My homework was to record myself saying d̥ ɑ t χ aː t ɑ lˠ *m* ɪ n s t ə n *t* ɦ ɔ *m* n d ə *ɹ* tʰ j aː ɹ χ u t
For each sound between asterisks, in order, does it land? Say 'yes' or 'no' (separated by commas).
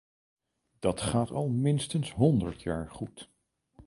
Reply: yes, no, no, yes